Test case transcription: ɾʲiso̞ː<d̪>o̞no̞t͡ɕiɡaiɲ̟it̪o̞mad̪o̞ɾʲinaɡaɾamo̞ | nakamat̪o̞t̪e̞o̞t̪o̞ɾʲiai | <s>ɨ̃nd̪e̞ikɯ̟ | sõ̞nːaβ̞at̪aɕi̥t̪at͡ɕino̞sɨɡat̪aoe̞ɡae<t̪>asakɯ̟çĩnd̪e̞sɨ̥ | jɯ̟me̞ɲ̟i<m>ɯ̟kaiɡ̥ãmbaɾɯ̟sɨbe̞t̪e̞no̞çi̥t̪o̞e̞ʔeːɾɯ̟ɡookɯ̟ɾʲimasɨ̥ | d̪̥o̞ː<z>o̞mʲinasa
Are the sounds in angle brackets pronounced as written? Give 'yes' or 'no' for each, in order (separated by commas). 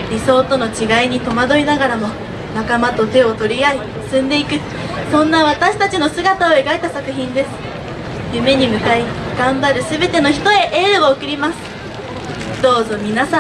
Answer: no, yes, yes, yes, yes